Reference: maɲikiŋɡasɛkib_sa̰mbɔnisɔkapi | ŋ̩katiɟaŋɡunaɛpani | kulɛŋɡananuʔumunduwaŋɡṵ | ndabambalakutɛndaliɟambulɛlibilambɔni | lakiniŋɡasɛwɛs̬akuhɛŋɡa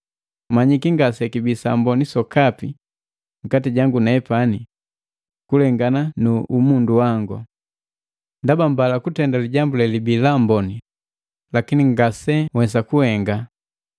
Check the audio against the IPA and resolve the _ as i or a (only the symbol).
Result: i